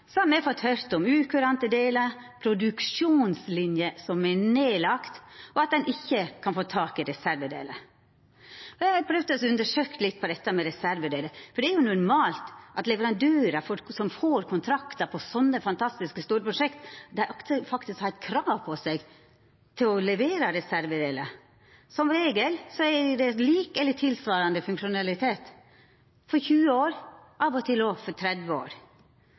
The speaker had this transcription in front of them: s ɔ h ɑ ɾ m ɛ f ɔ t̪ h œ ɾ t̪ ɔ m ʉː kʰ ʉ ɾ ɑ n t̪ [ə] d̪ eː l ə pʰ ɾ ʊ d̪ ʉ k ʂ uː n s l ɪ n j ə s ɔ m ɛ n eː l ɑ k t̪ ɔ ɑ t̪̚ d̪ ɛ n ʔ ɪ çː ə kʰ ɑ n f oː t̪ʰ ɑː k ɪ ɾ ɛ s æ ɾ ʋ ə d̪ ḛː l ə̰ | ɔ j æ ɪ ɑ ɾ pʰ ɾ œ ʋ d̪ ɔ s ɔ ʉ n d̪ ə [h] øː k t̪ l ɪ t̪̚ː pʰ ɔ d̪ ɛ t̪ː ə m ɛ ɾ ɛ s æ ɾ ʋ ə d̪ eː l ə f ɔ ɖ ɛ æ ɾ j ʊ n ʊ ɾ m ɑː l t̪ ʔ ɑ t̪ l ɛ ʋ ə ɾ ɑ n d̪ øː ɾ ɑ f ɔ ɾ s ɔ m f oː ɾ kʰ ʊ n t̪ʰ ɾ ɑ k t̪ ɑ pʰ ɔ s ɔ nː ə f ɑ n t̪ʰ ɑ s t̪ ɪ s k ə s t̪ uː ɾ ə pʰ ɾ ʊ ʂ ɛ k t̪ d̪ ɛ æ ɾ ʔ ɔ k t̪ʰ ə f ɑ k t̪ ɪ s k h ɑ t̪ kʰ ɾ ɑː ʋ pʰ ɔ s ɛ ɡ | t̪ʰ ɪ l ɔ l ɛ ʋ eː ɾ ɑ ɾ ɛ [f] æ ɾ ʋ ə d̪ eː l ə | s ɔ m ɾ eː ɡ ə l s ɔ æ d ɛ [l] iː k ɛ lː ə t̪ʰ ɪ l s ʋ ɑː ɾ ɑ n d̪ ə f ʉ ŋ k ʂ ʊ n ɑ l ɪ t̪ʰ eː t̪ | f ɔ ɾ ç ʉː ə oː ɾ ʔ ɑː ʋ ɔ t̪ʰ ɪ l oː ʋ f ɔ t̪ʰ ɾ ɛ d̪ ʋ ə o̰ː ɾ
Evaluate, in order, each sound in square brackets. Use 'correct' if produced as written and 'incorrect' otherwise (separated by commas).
correct, incorrect, incorrect, correct